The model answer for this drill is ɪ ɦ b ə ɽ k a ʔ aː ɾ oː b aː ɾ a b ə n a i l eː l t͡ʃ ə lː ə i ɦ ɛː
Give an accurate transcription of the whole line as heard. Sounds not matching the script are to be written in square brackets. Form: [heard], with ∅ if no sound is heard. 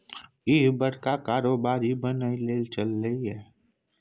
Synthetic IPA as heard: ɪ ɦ b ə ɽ k a [k] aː ɾ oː b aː ɾ [i] b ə n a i l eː l t͡ʃ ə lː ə i ɦ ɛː